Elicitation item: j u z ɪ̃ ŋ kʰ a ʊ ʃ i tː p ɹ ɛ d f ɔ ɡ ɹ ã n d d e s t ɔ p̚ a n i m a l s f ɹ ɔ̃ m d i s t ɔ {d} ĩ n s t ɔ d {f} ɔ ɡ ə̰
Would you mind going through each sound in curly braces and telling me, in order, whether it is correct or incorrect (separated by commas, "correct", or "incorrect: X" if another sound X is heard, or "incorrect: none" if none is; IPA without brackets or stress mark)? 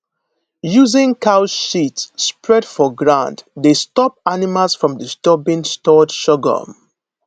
incorrect: b, incorrect: ʃ